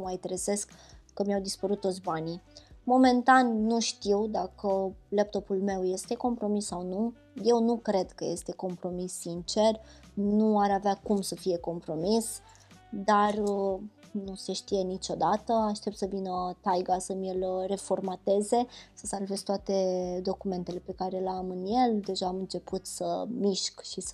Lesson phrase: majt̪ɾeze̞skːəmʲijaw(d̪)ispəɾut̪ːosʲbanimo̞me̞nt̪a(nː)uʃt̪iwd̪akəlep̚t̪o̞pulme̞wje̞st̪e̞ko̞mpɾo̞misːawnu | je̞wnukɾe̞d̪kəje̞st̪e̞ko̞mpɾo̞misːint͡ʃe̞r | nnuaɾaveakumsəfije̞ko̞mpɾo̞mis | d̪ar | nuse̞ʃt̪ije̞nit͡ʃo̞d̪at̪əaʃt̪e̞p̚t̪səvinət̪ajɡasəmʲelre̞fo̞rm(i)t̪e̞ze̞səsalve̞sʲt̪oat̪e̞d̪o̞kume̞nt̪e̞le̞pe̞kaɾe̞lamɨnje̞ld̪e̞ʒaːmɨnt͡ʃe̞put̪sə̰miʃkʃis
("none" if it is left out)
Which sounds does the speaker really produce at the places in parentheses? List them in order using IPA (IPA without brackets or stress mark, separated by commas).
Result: d̪, nː, a